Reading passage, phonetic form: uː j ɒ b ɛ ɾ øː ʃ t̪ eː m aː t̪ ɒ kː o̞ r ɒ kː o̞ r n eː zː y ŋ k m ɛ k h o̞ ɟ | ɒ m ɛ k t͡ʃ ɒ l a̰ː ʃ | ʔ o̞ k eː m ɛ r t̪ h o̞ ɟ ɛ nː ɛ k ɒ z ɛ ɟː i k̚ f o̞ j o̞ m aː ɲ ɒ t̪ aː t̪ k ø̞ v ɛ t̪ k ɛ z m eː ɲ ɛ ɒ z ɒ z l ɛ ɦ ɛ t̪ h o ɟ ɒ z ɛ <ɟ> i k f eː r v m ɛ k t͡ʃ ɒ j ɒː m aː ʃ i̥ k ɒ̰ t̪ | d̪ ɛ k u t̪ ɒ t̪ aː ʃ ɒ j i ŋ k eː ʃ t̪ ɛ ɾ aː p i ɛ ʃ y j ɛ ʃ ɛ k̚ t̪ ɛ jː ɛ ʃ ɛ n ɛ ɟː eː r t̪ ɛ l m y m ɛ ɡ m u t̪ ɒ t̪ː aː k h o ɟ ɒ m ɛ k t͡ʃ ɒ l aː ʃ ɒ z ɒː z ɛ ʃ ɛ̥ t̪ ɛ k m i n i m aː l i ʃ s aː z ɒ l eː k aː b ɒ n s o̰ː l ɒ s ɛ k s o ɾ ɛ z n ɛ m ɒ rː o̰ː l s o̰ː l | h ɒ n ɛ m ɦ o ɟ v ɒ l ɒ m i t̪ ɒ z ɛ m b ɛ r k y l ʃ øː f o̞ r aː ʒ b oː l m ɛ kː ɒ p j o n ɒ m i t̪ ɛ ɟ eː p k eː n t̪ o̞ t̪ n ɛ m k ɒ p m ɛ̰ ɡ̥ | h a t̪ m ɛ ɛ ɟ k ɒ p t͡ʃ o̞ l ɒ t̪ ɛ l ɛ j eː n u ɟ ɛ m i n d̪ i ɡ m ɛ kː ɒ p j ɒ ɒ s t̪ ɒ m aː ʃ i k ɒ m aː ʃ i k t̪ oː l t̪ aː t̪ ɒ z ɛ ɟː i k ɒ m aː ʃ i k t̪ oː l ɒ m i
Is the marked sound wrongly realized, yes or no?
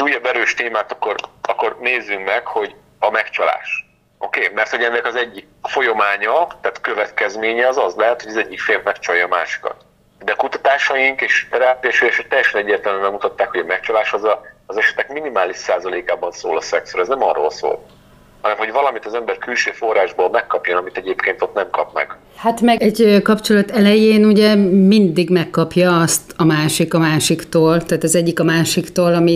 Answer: yes